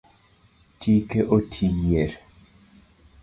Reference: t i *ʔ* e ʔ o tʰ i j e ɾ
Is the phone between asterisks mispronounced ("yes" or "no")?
yes